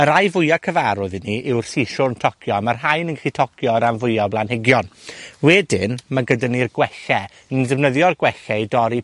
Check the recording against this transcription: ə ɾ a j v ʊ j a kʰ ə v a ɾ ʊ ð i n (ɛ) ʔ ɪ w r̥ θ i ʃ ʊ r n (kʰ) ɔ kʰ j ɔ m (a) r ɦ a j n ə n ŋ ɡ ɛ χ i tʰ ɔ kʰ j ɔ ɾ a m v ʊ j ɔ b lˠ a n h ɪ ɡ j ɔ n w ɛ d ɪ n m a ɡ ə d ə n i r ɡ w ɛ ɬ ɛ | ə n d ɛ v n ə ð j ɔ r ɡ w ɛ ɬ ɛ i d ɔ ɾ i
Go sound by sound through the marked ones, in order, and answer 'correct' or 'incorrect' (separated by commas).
incorrect, incorrect, correct